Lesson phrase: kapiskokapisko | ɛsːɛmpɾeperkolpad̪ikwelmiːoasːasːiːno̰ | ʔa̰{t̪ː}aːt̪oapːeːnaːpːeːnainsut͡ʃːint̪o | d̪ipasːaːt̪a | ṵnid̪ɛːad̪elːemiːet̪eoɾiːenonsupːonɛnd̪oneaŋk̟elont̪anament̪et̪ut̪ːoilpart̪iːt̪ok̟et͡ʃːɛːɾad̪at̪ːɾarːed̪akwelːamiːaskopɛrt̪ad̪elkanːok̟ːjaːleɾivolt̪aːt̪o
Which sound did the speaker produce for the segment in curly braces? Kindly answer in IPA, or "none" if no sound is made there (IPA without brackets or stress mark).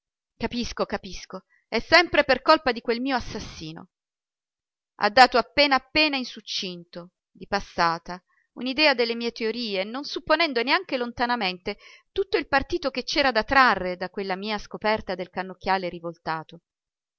d̪ː